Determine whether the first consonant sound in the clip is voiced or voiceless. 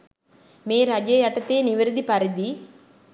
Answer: voiced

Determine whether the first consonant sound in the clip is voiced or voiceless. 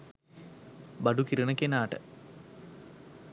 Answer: voiced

